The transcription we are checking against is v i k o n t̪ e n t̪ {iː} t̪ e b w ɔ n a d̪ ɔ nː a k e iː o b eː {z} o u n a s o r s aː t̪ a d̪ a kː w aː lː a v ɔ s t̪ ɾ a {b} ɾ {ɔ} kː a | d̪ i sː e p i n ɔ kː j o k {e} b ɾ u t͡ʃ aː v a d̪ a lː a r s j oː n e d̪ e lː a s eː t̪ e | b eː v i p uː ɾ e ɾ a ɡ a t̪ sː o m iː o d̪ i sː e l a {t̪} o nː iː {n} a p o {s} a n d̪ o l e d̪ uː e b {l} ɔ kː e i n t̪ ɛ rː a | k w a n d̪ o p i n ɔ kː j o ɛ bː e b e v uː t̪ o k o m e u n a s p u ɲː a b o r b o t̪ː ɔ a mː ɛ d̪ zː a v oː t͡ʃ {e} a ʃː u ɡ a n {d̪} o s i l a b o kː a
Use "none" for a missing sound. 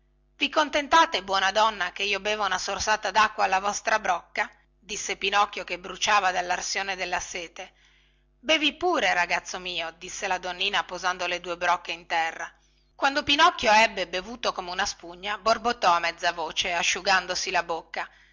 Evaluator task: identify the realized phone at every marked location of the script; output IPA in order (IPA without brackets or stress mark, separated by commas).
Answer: aː, v, b, ɔ, e, d̪, n, z, ɾ, e, d̪